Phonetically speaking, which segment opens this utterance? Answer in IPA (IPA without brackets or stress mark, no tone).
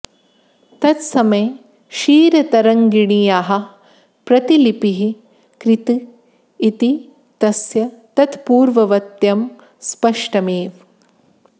t̪